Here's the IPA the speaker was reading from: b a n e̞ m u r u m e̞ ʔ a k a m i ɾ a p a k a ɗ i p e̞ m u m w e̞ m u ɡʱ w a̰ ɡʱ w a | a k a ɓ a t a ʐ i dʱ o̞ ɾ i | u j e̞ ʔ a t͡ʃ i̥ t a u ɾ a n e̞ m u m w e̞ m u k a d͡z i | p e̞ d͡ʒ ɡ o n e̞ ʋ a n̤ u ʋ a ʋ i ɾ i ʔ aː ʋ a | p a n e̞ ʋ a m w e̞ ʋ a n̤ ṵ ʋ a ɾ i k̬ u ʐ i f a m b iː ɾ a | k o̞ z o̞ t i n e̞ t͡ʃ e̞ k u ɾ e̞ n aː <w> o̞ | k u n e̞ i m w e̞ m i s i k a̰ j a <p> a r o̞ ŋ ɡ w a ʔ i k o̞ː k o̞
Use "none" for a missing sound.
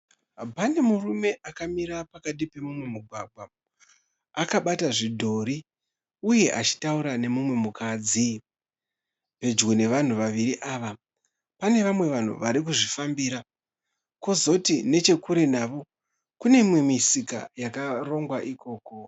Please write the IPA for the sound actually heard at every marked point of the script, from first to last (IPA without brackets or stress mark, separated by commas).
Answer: ʋ, k